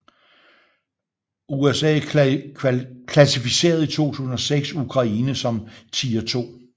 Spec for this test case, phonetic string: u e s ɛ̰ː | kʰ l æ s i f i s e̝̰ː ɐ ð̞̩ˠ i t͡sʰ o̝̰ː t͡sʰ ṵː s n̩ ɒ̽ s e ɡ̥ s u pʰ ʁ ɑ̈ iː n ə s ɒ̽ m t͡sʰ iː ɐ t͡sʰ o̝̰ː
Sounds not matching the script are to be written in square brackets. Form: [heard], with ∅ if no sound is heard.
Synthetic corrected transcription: u e s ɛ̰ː | kʰ l æ s i f i s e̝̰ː ɐ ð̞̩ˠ i t͡sʰ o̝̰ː t͡sʰ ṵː s n̩ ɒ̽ s e ɡ̥ s u [kʰ] ʁ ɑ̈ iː n ə s ɒ̽ m t͡sʰ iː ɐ t͡sʰ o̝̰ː